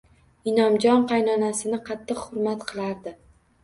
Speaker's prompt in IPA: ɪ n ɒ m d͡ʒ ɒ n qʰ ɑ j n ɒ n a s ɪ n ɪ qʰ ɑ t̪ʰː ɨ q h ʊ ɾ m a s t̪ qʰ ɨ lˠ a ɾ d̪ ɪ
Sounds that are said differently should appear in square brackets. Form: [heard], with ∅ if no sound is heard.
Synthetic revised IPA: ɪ n ɒ m d͡ʒ ɒ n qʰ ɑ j n ɒ n a s ɪ n ɪ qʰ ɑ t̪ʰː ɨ q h ʊ ɾ m a [∅] t̪ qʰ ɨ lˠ a ɾ d̪ ɪ